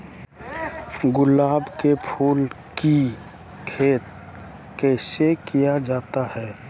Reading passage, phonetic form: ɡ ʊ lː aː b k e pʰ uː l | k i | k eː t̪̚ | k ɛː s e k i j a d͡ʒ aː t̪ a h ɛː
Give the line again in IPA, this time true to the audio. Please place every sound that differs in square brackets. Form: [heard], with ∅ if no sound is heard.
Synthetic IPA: ɡ ʊ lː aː b k e pʰ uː l | k i | [kʰ] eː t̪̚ | k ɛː s e k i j a d͡ʒ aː t̪ a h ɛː